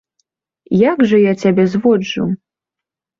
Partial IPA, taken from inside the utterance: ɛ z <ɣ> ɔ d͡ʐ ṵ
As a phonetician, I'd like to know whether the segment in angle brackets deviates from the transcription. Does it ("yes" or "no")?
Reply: yes